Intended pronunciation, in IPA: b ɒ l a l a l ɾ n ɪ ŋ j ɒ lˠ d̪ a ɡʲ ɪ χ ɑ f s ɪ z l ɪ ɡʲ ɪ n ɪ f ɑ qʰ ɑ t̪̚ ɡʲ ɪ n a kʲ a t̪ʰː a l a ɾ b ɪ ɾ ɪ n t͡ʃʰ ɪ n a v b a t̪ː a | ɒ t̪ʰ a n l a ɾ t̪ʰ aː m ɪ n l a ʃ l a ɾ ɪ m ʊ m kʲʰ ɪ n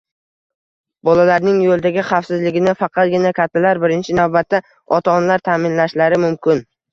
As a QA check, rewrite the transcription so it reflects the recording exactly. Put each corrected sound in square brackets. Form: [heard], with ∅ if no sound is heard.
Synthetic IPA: b ɒ l a l a [∅] ɾ n ɪ ŋ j [o] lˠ d̪ a ɡʲ ɪ χ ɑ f s ɪ z l ɪ ɡʲ ɪ n ɪ f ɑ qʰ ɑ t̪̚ ɡʲ ɪ n a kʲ a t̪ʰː a l a ɾ b ɪ ɾ ɪ n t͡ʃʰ ɪ n a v b a t̪ː a | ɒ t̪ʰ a n l a ɾ t̪ʰ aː m ɪ n l a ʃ l a ɾ ɪ m ʊ m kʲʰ ɪ n